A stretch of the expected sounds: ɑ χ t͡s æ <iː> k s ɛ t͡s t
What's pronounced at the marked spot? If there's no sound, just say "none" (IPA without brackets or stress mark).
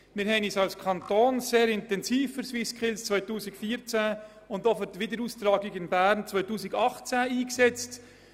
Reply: iː